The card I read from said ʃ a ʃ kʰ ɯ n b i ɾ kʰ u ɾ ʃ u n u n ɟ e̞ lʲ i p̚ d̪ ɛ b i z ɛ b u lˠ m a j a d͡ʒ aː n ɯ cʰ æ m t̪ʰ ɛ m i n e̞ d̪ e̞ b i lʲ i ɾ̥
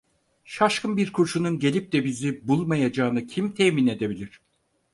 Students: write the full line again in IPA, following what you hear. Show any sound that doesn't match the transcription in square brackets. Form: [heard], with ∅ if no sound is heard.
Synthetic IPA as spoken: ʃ a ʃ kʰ ɯ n b i ɾ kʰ u ɾ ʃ u n u n ɟ e̞ lʲ i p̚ d̪ ɛ b i z [i] b u lˠ m a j a d͡ʒ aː n ɯ cʰ [i] m t̪ʰ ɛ m i n e̞ d̪ e̞ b i lʲ i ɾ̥